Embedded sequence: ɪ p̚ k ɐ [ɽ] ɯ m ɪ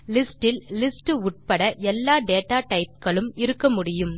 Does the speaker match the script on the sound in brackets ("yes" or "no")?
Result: no